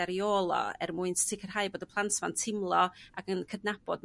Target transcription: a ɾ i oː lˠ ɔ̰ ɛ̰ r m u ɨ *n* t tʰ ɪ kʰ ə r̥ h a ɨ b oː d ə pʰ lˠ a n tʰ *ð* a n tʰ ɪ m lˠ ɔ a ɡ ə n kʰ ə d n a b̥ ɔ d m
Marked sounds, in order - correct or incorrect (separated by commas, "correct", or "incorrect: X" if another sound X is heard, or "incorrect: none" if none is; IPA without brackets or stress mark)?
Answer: correct, incorrect: v